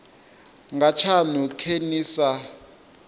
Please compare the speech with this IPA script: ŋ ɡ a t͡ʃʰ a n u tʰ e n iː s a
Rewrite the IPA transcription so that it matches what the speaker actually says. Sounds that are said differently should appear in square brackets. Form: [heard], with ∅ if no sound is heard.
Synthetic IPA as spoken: ŋ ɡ a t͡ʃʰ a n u [kʰ] e n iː s a